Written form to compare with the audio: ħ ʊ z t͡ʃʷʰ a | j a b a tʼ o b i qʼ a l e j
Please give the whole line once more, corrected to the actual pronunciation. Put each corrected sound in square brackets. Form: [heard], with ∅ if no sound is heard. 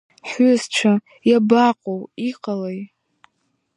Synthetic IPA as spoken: ħ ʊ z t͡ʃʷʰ a | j a b a [qʼ] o [w] i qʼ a l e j